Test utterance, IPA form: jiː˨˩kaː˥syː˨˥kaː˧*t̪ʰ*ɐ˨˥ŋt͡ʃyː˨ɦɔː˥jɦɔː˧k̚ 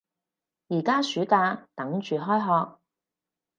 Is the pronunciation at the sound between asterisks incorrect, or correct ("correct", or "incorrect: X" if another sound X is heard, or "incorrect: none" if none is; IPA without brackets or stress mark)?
incorrect: t̪